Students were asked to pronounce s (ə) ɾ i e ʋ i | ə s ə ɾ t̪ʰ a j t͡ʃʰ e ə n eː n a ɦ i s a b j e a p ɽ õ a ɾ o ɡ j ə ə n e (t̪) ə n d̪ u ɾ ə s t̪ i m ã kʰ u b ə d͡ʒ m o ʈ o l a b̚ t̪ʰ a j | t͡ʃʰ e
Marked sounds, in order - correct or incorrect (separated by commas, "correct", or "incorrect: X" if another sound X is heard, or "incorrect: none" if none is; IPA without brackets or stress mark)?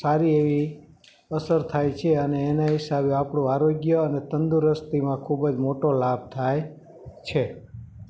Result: incorrect: a, correct